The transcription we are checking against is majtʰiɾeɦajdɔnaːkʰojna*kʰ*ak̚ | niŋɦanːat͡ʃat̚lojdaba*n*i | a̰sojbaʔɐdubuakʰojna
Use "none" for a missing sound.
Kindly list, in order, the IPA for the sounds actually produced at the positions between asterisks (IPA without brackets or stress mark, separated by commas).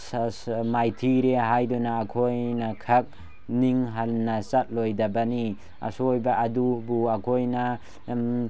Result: kʰ, n